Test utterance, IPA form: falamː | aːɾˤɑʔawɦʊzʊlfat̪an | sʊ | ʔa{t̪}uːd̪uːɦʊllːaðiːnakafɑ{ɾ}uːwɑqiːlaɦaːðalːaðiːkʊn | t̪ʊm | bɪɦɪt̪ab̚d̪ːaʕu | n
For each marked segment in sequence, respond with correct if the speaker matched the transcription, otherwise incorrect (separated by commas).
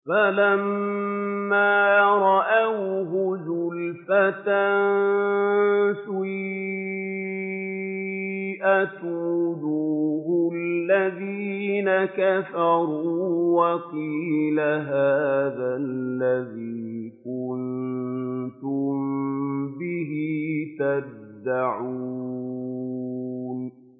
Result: correct, correct